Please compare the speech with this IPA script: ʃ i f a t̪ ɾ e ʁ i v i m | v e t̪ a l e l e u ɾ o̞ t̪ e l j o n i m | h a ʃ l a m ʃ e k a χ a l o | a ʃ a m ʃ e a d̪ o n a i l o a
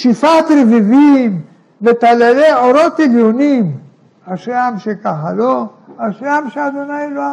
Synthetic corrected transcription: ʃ i f a t̪ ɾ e v i v i m | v e t̪ a l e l e o ɾ o̞ t̪ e l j o n i m | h a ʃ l a m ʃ e k a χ a l o | a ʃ a m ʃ e a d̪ o n a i l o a